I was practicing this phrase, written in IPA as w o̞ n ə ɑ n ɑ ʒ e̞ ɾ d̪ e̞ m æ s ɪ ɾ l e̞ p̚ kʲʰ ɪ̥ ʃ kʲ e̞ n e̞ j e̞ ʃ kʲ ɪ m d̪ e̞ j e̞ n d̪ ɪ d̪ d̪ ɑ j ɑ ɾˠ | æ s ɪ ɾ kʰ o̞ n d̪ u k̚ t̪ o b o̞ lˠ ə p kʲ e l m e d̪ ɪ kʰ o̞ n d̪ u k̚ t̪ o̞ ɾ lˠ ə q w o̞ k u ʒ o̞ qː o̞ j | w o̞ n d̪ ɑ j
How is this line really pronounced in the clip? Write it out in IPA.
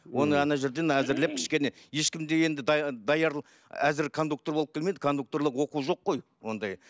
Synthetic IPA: w o̞ n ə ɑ n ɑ ʒ e̞ ɾ d̪ e̞ n æ z ɪ ɾ l e̞ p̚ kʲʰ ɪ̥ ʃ kʲ e̞ n e̞ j e̞ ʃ kʲ ɪ m d̪ e̞ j e̞ n d̪ ɪ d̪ d̪ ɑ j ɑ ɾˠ | æ z ɪ ɾ kʰ o̞ n d̪ u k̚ t̪ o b o̞ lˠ ə p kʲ e l m e d̪ ɪ kʰ o̞ n d̪ u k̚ t̪ o̞ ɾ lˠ ə q w o̞ q u ʒ o̞ qː o̞ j | w o̞ n d̪ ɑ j